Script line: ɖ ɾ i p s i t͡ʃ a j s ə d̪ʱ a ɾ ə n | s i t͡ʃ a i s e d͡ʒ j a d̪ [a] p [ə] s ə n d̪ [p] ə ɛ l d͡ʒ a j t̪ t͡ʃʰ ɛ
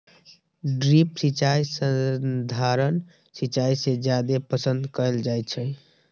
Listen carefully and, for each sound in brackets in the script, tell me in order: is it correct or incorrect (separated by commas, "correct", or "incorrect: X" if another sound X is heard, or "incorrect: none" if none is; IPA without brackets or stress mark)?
incorrect: e, correct, incorrect: k